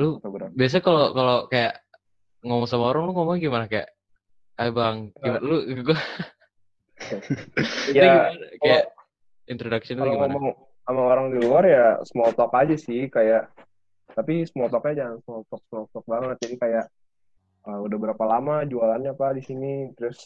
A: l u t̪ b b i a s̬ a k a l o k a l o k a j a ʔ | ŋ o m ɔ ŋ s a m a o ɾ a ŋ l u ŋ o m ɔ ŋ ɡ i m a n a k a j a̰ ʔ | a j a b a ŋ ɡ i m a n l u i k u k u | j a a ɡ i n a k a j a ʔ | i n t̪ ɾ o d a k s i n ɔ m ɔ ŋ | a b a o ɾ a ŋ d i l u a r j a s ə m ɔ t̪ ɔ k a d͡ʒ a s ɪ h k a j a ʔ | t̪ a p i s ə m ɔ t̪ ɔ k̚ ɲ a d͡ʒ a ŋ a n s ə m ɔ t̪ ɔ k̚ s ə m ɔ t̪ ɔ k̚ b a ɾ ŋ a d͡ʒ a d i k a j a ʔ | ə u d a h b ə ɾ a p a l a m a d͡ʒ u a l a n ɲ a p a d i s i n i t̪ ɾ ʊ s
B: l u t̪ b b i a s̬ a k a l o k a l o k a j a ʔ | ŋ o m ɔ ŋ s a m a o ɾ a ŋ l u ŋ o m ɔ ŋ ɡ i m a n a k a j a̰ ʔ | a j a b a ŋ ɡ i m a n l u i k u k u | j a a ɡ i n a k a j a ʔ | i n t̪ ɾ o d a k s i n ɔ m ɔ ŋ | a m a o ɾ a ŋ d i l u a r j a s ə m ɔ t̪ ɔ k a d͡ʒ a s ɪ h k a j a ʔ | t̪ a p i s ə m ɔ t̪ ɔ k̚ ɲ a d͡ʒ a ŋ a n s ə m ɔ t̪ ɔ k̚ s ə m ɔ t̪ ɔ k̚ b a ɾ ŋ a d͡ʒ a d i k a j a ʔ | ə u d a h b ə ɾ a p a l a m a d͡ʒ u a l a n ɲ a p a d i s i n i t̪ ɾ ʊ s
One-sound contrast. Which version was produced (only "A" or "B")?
B